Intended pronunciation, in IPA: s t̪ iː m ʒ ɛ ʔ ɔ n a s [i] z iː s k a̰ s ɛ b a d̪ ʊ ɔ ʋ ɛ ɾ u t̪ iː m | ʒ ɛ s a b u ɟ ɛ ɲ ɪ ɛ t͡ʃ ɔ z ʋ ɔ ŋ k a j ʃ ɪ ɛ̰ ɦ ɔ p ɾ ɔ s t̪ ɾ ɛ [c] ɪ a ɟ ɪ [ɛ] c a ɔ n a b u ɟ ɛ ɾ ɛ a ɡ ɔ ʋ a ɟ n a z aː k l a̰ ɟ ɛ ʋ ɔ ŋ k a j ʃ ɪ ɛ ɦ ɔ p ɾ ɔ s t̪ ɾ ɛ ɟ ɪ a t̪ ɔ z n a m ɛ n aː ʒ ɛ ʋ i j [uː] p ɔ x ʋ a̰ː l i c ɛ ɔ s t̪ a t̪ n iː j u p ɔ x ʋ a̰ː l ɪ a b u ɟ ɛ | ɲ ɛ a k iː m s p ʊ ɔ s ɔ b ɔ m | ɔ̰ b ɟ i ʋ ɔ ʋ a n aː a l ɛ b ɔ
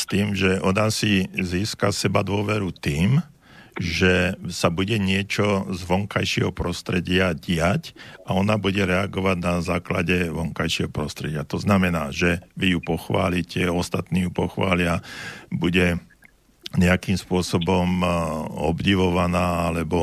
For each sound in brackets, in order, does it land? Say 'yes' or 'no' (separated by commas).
yes, no, no, no